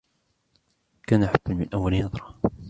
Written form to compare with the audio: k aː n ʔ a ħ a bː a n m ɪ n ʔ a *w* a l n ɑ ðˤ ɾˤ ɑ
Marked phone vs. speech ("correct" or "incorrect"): incorrect